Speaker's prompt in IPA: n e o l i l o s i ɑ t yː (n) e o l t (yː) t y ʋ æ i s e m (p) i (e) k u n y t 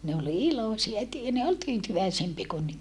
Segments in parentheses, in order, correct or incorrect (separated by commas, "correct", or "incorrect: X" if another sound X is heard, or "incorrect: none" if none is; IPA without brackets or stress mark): correct, correct, correct, correct